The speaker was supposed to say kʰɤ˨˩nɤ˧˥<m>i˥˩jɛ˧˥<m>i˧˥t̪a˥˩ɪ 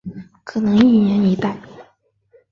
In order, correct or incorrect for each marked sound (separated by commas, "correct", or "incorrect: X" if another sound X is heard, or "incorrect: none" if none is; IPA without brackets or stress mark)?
incorrect: ŋ, incorrect: n